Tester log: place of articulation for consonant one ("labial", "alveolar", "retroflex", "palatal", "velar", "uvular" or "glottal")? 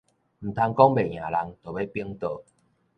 labial